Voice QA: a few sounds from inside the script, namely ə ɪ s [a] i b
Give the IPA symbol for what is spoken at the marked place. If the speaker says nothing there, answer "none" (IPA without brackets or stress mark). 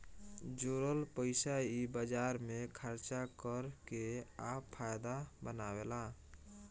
a